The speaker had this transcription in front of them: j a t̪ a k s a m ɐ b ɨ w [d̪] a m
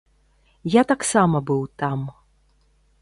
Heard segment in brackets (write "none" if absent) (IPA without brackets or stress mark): t̪